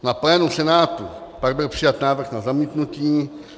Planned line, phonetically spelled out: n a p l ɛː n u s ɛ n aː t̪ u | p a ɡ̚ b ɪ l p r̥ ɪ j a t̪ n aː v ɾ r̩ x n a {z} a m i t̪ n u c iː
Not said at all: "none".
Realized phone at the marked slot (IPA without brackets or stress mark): z